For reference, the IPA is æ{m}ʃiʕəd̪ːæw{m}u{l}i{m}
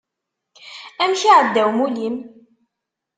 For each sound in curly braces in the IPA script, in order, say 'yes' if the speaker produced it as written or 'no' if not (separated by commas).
yes, yes, yes, yes